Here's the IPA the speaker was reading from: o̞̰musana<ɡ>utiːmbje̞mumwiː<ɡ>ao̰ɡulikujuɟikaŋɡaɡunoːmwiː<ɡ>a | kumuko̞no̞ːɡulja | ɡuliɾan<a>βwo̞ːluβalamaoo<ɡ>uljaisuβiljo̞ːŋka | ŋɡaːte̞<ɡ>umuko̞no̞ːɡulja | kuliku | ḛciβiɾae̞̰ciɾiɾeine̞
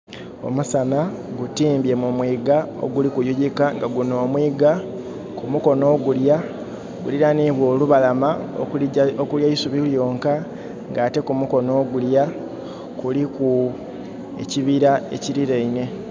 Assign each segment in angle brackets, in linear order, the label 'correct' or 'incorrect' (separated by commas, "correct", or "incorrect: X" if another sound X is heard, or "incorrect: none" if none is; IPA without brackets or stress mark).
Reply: correct, correct, correct, incorrect: i, incorrect: k, incorrect: k